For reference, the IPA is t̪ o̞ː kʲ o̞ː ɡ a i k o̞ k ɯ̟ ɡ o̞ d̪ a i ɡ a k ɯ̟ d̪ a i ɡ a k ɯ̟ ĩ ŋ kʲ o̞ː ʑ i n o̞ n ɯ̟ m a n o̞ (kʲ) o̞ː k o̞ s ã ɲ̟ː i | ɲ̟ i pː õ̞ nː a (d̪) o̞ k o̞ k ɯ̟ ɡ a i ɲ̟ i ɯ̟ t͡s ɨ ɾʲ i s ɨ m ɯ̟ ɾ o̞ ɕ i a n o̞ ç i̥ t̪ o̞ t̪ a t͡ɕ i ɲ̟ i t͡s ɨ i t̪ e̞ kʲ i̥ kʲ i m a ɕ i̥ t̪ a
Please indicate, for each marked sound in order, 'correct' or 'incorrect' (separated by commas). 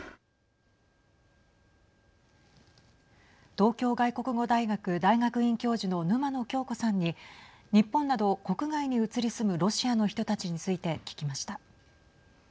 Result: correct, correct